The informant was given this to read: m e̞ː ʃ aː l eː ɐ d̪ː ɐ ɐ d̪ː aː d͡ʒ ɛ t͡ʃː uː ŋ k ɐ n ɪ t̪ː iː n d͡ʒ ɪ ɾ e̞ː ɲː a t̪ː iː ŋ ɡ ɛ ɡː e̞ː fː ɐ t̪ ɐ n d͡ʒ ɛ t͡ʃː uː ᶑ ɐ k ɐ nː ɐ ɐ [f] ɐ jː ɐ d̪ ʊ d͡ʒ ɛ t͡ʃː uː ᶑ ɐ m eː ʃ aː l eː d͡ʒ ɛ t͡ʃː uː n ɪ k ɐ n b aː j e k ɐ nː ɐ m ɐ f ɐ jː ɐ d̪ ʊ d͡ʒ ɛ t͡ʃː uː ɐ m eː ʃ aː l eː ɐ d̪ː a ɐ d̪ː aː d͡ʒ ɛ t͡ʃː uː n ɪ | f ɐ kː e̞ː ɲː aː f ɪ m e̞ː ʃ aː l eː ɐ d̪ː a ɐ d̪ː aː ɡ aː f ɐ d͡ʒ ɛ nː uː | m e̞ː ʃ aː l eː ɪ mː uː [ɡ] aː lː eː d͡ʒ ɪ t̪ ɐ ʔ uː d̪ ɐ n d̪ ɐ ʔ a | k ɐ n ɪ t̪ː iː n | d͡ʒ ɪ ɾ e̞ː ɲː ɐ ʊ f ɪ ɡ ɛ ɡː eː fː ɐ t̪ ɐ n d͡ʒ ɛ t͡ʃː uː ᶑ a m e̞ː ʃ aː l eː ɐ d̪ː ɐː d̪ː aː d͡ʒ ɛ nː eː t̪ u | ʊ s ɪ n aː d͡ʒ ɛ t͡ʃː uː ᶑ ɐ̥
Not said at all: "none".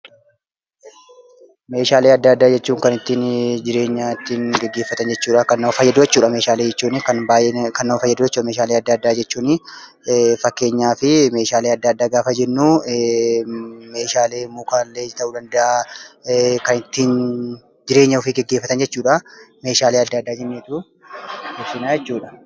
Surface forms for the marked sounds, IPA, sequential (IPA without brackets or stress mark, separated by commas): f, k